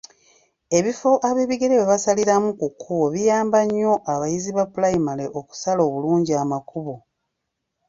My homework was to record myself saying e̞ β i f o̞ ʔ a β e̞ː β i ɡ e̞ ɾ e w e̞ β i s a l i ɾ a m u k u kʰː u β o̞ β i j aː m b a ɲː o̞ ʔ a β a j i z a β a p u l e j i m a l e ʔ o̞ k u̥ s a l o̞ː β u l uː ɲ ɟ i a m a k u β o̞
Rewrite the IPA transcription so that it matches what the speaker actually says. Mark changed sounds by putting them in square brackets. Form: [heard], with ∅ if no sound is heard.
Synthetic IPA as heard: e̞ β i f o̞ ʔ a β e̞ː β i ɡ e̞ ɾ e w e̞ β [a] s a l i ɾ a m u k u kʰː u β o̞ β i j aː m b a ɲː o̞ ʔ a β a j i z [i] β a p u l [a] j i m a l e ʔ o̞ k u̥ s a l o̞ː β u l uː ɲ ɟ i a m a k u β o̞